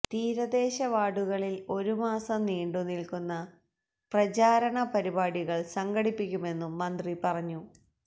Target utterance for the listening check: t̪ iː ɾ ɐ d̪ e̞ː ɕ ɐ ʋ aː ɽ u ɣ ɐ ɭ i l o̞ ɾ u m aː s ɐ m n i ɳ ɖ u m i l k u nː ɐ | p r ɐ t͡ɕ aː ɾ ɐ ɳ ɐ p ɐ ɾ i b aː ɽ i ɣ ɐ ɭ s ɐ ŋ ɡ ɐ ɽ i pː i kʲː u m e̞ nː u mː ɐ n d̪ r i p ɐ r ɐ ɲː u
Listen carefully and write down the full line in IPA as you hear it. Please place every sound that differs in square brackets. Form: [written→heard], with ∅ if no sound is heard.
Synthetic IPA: t̪ iː ɾ ɐ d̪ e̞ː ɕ ɐ ʋ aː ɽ u ɣ ɐ ɭ i l o̞ ɾ u m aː s ɐ m n [i→iː] ɳ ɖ u [m→n] i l k u nː ɐ | p r ɐ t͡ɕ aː ɾ ɐ ɳ ɐ p ɐ ɾ i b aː ɽ i ɣ ɐ ɭ s ɐ ŋ ɡ ɐ ɽ i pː i kʲː u m e̞ nː u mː ɐ n d̪ r i p ɐ r ɐ ɲː u